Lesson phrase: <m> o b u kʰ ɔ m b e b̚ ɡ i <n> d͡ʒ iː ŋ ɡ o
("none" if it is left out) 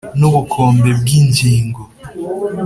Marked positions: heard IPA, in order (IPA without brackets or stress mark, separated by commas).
n, n